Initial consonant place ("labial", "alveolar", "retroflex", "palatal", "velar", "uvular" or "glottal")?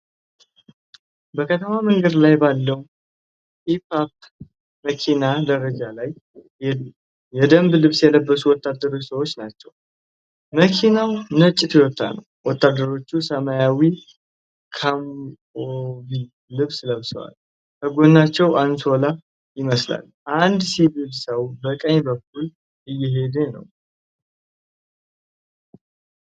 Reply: labial